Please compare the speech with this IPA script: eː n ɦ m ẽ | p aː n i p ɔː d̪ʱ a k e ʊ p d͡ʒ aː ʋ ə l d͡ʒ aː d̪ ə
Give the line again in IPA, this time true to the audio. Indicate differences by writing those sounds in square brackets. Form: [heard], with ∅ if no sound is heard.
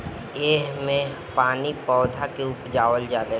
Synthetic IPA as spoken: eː [∅] ɦ m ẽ | p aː n i p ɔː d̪ʱ a k e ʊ p d͡ʒ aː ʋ ə l d͡ʒ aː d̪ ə